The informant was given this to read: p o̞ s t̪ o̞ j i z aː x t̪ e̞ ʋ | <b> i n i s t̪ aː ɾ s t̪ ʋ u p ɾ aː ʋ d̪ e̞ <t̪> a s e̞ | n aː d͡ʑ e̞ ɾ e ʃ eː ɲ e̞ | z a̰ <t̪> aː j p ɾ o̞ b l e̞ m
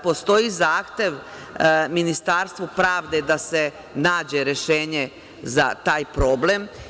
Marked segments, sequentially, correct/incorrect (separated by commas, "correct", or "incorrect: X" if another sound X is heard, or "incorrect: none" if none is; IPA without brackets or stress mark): incorrect: m, incorrect: d̪, correct